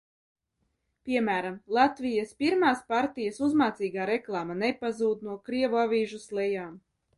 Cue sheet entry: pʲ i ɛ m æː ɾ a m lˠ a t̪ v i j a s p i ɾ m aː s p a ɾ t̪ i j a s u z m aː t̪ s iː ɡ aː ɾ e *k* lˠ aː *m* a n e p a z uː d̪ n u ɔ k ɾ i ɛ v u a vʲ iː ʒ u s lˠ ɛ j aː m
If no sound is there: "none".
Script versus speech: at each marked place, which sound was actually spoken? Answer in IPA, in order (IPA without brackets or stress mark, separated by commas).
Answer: k, m